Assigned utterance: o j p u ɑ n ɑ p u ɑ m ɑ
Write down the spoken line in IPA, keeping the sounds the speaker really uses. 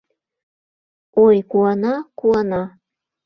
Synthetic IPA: o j k u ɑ n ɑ k u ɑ n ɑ